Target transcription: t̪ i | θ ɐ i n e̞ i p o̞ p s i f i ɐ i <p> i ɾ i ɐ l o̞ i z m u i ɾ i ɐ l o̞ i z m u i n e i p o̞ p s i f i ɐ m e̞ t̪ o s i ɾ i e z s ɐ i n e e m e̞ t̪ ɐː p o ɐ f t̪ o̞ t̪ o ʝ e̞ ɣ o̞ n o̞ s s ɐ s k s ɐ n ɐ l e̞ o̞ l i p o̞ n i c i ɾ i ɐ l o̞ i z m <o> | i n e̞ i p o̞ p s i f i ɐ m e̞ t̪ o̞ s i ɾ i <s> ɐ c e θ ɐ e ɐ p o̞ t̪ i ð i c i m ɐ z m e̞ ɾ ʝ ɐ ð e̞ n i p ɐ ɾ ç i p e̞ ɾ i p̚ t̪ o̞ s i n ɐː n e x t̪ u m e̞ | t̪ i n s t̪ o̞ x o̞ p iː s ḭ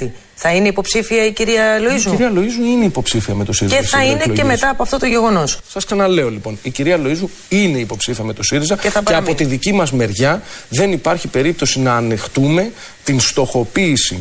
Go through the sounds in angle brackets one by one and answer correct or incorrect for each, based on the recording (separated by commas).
incorrect, incorrect, incorrect